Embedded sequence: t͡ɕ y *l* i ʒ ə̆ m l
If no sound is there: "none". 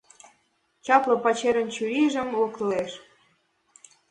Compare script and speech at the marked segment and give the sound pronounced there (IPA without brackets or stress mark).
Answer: ɾ